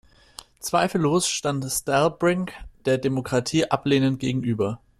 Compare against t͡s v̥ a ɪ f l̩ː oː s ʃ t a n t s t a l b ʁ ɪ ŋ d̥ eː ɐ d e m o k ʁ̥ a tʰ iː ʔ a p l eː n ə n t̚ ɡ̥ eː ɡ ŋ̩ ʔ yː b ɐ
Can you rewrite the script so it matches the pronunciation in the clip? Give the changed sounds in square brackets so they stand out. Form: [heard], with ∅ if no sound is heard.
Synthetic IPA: t͡s v̥ a ɪ f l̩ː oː s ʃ t a n t s t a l b ʁ ɪ ŋ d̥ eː ɐ d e m o k ʁ̥ a tʰ iː ʔ a p l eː n ə n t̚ ɡ̥ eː ɡ ŋ̩ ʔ yː b ɐ